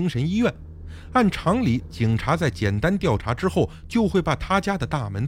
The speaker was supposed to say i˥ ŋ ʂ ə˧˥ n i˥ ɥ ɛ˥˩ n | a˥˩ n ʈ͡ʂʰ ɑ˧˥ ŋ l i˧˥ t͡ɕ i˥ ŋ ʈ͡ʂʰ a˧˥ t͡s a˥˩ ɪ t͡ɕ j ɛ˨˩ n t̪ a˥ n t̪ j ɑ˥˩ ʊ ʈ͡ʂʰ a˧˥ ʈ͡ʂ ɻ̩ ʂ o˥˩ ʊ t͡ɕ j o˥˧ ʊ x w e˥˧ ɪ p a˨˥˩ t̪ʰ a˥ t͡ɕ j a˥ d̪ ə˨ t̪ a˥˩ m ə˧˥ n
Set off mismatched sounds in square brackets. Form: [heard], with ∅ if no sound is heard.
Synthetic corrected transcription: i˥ ŋ ʂ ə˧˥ n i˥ ɥ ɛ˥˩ n | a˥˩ n ʈ͡ʂʰ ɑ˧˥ ŋ l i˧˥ t͡ɕ [i˨˩] ŋ ʈ͡ʂʰ a˧˥ t͡s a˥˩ ɪ t͡ɕ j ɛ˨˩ n t̪ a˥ n t̪ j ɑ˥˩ ʊ ʈ͡ʂʰ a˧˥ ʈ͡ʂ ɻ̩ [x] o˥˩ ʊ t͡ɕ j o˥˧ ʊ x w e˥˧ ɪ p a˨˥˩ t̪ʰ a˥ t͡ɕ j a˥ d̪ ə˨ t̪ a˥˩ m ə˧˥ n